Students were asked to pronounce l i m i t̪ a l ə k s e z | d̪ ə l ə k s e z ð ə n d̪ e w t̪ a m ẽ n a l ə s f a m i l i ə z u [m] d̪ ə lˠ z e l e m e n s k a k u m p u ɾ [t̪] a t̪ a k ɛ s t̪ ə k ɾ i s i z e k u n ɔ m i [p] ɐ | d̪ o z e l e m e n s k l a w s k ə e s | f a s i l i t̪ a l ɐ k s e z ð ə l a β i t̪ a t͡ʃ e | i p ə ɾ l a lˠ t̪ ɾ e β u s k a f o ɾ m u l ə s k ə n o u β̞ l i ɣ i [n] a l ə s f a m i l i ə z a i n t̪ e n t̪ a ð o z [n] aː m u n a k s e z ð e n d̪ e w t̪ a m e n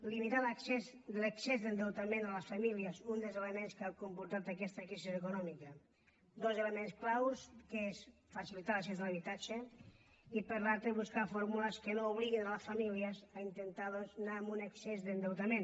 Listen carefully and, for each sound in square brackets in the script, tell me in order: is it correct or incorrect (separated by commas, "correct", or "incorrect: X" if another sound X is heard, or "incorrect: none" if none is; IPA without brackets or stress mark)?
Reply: incorrect: n, correct, incorrect: k, correct, correct